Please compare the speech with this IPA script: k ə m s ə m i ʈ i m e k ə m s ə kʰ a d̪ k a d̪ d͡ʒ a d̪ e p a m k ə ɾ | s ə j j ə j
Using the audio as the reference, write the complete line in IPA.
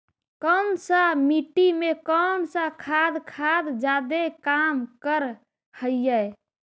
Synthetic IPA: k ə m s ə m i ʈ i m e k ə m s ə kʰ a d̪ kʰ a d̪ d͡ʒ a d̪ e k a m k ə ɾ | h ə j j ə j